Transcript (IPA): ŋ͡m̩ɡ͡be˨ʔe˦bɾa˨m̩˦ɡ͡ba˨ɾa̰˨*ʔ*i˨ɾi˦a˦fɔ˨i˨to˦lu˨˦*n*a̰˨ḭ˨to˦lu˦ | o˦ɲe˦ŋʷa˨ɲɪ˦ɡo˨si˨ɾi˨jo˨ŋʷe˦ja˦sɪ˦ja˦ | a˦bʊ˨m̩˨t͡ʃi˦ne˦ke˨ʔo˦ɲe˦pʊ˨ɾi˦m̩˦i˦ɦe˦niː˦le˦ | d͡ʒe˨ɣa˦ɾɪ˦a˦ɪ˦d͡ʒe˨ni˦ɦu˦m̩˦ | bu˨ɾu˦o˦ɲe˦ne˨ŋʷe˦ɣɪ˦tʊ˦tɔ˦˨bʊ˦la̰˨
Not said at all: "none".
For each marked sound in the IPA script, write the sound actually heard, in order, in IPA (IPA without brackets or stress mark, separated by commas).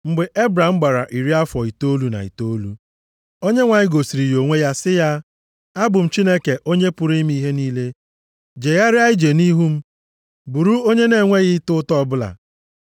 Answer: ʔ, n